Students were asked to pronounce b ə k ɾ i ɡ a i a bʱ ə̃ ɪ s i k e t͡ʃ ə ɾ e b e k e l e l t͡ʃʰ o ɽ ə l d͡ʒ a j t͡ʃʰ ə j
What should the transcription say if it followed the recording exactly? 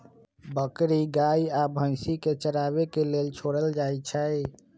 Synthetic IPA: b ə k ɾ i ɡ a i a bʱ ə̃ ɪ s i k e t͡ʃ ə ɾ a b e k e l e l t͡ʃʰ o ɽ ə l d͡ʒ a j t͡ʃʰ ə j